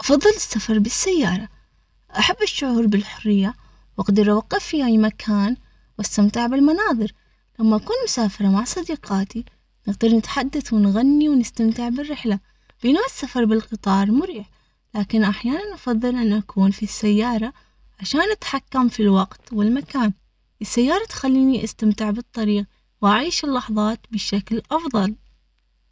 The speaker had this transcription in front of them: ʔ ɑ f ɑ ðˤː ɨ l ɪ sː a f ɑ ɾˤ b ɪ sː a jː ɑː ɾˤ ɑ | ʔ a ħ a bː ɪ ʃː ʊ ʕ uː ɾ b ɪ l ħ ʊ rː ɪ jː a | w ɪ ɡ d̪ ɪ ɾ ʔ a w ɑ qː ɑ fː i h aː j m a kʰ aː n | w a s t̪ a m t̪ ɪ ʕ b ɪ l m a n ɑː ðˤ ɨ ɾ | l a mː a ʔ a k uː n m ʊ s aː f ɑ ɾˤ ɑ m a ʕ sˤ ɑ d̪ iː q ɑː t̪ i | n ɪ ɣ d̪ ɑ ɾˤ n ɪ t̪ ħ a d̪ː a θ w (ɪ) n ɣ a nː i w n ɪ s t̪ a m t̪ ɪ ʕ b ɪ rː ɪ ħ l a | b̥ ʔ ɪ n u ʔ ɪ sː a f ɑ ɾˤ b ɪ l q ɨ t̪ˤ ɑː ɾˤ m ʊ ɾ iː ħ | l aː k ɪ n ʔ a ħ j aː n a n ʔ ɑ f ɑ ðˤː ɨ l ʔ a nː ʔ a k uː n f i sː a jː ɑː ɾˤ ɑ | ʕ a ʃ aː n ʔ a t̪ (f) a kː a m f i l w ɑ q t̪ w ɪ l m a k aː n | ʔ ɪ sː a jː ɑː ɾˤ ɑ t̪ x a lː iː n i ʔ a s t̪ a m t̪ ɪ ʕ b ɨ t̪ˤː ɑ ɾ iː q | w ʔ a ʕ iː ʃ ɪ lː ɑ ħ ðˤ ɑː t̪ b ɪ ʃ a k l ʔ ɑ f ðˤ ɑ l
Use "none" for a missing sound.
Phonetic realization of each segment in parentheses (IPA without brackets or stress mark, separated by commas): ɪ, ħ